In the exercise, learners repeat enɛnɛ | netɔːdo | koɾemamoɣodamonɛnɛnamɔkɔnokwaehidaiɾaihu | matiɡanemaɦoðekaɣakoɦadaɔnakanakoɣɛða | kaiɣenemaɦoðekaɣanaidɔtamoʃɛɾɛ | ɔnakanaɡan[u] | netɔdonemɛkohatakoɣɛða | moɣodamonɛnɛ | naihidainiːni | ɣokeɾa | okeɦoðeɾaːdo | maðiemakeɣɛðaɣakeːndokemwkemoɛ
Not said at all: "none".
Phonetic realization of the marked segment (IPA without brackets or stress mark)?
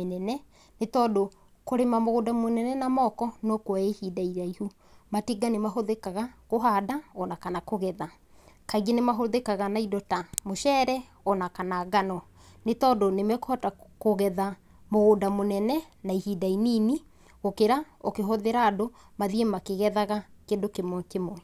ɔ